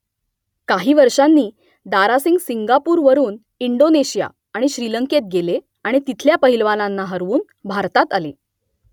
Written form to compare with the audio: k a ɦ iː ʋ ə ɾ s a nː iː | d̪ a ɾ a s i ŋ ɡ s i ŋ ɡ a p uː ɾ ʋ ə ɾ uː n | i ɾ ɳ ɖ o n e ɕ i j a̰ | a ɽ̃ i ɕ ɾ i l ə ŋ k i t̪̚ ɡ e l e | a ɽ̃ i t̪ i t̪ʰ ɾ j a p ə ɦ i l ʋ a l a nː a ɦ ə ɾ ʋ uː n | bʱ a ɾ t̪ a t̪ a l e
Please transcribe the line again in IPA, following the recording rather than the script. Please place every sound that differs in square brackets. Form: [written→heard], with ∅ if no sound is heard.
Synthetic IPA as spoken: k a ɦ iː ʋ ə ɾ [s→ʂ] a nː iː | d̪ a ɾ a s i ŋ ɡ s i ŋ ɡ a p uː ɾ ʋ ə ɾ uː n | i [ɾ→∅] ɳ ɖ o n e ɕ i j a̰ | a ɽ̃ i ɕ ɾ i l ə ŋ k [i→e] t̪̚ ɡ e l e | a ɽ̃ i t̪ i t̪ʰ [ɾ→l] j a p ə ɦ i l ʋ a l a nː a ɦ ə ɾ ʋ uː n | bʱ a ɾ t̪ a t̪ a l e